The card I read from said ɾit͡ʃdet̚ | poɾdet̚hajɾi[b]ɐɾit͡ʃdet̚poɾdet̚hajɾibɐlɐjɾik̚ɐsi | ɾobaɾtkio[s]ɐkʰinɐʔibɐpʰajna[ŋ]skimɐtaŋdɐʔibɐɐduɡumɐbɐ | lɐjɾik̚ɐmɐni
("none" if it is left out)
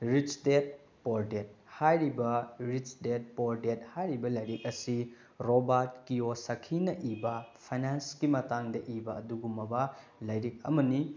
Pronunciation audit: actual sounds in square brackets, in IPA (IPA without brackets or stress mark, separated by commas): b, s, n